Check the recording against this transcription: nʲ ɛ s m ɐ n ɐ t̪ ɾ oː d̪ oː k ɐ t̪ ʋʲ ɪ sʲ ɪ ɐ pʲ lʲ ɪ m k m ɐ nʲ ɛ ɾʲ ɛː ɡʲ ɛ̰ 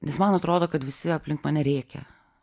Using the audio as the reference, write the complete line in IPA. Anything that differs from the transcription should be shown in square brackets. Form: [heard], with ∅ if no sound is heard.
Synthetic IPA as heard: nʲ ɛ s m ɐ n ɐ t̪ ɾ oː d̪ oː k ɐ t̪ ʋʲ ɪ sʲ ɪ ɐ pʲ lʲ ɪ [ŋ] k m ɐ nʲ ɛ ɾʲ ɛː [kʲ] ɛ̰